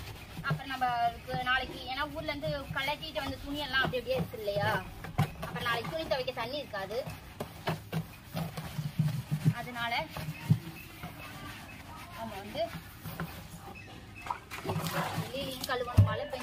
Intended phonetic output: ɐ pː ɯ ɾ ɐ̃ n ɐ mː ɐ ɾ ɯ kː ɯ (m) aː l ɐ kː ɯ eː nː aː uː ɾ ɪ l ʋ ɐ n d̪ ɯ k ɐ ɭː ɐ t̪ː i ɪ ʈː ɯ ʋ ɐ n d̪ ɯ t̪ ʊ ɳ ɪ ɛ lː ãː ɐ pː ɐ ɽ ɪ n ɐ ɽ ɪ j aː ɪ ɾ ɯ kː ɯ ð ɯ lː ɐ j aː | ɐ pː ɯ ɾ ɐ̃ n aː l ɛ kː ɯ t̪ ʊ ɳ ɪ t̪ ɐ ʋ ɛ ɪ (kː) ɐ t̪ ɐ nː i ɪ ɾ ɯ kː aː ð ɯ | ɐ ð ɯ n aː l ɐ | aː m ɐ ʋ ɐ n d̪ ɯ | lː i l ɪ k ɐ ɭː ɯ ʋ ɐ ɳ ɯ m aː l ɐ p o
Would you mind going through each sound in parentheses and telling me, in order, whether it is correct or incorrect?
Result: incorrect: n, correct

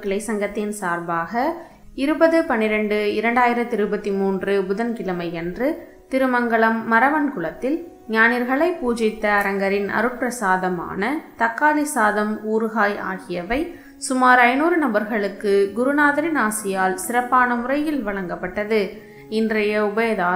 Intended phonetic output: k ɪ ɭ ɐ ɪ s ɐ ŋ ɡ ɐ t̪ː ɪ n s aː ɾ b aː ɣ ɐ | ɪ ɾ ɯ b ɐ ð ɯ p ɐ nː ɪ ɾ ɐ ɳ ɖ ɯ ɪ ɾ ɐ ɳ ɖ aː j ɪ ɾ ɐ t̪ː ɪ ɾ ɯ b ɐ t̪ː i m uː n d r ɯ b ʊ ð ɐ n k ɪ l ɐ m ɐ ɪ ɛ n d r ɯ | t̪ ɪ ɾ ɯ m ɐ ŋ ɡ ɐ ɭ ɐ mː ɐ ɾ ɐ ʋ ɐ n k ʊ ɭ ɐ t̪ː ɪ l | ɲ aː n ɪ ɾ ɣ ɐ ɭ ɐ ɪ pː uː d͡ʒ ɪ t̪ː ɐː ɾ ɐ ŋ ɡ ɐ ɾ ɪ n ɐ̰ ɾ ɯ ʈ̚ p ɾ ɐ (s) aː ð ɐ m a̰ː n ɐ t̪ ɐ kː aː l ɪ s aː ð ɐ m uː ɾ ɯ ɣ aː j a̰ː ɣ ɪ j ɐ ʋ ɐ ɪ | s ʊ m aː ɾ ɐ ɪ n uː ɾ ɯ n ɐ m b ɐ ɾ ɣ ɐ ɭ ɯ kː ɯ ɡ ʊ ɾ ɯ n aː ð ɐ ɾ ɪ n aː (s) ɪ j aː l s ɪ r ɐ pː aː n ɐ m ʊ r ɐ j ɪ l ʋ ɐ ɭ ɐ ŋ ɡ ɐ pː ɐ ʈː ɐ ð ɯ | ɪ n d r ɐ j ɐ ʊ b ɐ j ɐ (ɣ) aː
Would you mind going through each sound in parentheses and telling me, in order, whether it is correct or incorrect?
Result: correct, correct, incorrect: ð

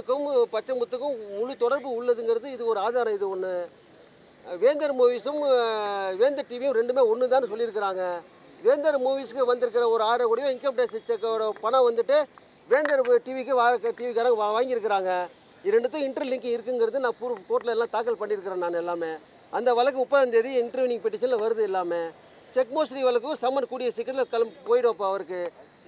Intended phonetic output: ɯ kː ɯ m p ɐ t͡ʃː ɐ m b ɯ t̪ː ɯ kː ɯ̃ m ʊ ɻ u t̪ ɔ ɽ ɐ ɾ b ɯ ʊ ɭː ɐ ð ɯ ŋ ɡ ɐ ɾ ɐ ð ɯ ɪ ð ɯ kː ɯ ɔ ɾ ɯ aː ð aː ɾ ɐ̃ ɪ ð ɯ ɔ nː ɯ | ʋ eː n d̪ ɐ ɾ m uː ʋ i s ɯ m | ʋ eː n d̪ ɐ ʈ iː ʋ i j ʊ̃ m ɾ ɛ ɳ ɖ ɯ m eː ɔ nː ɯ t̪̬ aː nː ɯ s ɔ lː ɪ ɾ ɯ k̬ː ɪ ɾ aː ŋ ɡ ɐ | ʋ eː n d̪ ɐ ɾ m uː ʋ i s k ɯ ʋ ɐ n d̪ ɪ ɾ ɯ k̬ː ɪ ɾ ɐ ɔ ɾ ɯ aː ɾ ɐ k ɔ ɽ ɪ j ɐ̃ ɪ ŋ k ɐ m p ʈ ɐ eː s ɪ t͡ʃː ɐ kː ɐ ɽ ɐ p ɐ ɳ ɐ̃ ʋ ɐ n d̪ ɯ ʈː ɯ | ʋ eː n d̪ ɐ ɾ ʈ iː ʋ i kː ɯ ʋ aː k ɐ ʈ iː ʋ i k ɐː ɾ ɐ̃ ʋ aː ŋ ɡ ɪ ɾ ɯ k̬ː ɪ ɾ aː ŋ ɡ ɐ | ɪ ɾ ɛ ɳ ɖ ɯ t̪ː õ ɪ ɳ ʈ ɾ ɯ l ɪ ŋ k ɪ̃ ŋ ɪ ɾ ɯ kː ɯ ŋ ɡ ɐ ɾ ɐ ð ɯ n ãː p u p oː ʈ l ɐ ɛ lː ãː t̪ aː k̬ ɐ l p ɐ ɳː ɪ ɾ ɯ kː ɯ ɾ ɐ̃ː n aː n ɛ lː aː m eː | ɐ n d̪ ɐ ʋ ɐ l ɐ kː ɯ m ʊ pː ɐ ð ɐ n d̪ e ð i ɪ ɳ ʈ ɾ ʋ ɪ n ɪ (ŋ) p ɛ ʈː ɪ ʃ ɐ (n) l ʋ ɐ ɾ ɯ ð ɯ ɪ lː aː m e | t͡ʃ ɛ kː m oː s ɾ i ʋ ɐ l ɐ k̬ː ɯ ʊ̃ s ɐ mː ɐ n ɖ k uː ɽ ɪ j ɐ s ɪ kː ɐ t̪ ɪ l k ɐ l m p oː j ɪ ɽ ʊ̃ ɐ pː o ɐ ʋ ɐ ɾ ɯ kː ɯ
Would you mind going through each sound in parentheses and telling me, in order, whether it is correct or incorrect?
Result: correct, correct

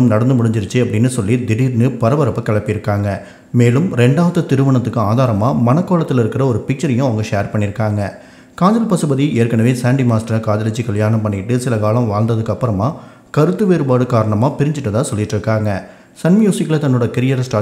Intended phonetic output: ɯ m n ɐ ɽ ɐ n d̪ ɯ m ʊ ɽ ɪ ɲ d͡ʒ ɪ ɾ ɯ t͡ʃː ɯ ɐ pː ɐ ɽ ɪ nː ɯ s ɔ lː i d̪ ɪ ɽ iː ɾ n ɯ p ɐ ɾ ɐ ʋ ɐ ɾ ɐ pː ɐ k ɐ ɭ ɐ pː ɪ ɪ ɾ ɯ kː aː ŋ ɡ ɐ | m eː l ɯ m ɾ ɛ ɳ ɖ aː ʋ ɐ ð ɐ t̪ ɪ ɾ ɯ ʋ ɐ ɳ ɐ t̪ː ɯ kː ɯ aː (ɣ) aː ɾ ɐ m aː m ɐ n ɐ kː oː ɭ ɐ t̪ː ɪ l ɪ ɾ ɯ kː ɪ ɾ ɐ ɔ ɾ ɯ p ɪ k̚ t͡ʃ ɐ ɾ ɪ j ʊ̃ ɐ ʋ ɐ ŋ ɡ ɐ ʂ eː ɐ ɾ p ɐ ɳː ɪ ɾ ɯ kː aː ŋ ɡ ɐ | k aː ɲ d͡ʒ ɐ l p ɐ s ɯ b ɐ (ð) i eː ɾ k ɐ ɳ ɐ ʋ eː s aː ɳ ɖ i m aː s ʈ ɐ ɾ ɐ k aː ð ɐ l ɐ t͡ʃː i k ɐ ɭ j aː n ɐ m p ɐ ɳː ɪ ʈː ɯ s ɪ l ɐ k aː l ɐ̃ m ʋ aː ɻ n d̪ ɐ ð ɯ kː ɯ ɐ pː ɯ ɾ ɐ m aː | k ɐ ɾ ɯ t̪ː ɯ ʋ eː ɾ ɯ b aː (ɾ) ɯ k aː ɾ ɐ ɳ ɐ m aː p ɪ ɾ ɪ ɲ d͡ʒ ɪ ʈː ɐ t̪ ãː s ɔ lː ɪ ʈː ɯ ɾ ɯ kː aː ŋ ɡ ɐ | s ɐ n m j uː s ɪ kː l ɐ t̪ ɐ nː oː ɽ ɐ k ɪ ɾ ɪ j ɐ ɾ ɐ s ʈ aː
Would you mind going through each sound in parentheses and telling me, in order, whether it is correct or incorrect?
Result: incorrect: ð, correct, incorrect: ɽ

